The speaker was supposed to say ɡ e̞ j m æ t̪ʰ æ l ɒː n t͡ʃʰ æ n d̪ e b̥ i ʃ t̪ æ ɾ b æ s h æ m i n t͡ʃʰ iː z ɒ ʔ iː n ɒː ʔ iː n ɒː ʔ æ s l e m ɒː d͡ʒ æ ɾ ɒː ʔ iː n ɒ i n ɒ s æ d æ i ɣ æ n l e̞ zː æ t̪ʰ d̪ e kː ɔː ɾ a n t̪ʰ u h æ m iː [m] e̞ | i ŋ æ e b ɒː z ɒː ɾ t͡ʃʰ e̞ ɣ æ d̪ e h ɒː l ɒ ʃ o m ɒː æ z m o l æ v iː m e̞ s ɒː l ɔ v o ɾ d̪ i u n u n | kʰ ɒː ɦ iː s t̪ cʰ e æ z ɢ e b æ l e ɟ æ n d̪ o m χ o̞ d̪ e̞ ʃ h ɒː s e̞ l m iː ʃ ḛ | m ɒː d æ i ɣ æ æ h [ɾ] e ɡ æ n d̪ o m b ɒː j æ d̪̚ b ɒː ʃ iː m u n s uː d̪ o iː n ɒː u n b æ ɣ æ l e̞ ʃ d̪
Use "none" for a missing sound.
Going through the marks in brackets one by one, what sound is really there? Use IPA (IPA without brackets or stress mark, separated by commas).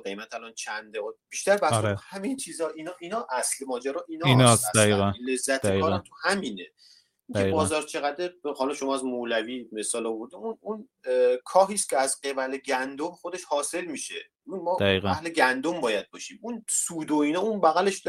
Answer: n, l